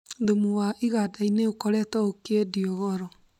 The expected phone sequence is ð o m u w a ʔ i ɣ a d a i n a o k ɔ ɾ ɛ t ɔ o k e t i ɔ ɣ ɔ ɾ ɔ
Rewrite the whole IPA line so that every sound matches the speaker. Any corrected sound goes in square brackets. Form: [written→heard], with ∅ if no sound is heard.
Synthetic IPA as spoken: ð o m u w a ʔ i ɣ a d a i n [a→e] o k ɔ ɾ ɛ t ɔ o k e [t→d] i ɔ ɣ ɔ ɾ ɔ

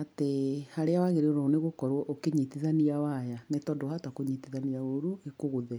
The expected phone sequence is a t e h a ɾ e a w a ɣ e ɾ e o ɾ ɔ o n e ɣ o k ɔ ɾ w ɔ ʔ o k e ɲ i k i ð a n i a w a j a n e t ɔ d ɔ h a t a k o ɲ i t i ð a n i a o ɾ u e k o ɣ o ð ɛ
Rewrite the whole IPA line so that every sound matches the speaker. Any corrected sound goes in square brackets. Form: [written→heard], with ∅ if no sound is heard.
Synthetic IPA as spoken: a t e h a ɾ e a w a ɣ e ɾ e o ɾ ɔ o n e ɣ o k ɔ ɾ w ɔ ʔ o k e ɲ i [k→t] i ð a n i a w a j a n e t ɔ d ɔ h a t a k o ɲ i t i ð a n i a o ɾ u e k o ɣ o ð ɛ

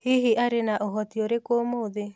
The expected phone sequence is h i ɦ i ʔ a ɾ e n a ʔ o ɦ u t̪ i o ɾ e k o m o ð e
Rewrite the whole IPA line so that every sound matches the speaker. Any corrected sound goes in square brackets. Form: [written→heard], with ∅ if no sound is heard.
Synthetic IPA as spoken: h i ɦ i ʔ a ɾ e n a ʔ o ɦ [u→ɔ] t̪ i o ɾ e k o m o ð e

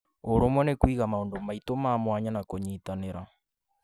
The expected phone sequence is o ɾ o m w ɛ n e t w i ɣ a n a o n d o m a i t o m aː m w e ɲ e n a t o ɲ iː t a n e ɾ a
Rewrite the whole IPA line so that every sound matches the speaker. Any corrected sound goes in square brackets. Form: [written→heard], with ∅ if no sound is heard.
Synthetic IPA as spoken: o ɾ o m w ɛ n e [t→k] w i ɣ a [n→m] a o n d o m a i t o m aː m w [e→a] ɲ [e→a] n a [t→k] o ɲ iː t a n e ɾ a

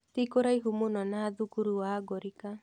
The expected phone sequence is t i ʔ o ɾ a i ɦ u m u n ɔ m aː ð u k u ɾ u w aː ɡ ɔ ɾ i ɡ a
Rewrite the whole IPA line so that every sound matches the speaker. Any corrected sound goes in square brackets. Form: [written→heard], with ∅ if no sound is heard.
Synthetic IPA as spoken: t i [ʔ→k] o ɾ a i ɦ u m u n ɔ [m→n] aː ð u k u ɾ u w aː ɡ ɔ ɾ i [ɡ→k] a

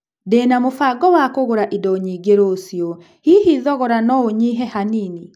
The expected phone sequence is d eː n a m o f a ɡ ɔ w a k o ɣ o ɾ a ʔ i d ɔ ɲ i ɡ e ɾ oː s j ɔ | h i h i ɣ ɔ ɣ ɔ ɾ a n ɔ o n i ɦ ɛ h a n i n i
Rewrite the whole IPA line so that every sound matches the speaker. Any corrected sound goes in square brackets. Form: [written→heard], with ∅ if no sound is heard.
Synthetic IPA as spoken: d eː n a m o f a ɡ ɔ w a k o ɣ o ɾ a ʔ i d ɔ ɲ i ɡ e ɾ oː s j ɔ | h i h i [ɣ→ð] ɔ ɣ ɔ ɾ a n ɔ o [n→ɲ] i ɦ ɛ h a n i n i

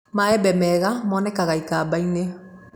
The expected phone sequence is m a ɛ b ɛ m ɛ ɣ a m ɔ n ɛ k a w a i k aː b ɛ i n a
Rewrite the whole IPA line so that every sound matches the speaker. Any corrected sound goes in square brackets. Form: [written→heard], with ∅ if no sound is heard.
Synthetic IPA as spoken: m a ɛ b ɛ m ɛ ɣ a m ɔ n ɛ k a [w→ɣ] a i k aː b [ɛ→a] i n [a→e]

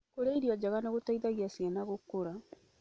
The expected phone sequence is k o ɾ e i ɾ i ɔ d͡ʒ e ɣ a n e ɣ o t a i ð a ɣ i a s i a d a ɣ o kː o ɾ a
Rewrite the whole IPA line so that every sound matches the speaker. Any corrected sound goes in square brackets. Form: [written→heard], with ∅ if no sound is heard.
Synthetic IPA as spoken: k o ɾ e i ɾ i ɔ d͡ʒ [e→a] ɣ a n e ɣ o t a i ð a ɣ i a s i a [d→n] a ɣ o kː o ɾ a

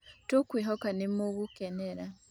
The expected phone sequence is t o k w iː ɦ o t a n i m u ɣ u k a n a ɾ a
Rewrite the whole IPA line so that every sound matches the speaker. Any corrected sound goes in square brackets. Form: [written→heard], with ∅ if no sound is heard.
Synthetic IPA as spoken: t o k w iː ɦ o [t→k] a n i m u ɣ u k [a→e] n [a→e] ɾ a

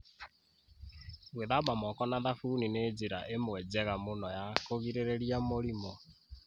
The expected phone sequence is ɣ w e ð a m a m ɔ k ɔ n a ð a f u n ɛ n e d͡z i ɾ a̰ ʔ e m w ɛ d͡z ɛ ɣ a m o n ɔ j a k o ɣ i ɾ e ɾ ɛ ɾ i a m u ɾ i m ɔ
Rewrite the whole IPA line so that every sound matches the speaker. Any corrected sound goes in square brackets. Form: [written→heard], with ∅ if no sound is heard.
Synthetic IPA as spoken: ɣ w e ð a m a m ɔ k ɔ n a ð a f u n [ɛ→i] n e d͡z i ɾ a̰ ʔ e m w ɛ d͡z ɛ ɣ a m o n ɔ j a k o ɣ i ɾ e ɾ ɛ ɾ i a m [u→o] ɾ i m ɔ

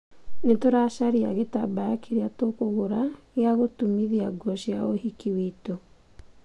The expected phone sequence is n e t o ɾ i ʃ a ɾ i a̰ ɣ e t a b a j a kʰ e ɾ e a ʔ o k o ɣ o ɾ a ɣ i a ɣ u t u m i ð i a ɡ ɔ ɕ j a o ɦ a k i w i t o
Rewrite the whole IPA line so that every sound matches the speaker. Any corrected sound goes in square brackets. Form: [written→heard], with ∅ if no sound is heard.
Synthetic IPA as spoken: n e t o ɾ [i→a] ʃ a ɾ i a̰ ɣ e t a b a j a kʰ e ɾ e a [ʔ→t] o k o ɣ o ɾ a ɣ [i→e] a ɣ [u→o] t u m i ð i a ɡ ɔ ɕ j a o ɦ [a→i] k i w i t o

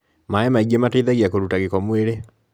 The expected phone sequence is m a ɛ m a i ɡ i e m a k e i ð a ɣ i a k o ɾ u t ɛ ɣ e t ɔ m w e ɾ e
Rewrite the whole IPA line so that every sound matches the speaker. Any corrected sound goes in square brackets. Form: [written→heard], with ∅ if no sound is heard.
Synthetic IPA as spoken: m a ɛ m a i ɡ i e m a [k→t] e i ð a ɣ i a k o ɾ u t [ɛ→a] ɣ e [t→k] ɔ m w e ɾ e

